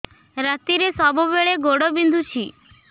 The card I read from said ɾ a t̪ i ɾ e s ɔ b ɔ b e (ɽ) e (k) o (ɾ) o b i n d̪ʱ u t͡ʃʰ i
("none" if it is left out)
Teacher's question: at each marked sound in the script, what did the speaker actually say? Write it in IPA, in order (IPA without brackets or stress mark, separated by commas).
ɭ, ɡ, ɽ